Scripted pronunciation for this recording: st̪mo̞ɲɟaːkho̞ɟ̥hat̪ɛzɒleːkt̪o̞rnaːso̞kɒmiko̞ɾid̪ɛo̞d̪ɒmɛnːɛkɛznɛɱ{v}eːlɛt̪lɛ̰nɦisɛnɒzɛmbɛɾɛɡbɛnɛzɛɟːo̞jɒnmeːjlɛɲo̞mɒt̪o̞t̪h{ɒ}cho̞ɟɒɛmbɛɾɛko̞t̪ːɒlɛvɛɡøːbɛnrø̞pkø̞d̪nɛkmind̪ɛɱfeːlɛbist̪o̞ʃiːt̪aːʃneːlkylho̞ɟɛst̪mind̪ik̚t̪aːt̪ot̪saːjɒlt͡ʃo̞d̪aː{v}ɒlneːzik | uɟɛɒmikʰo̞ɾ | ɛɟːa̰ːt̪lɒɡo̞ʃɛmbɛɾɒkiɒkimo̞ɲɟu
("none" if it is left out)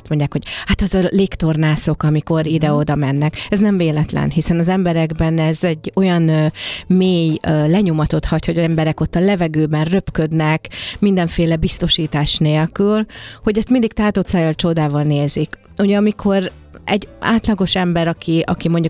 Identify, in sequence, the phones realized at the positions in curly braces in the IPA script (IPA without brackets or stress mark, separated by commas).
v, ɒ, v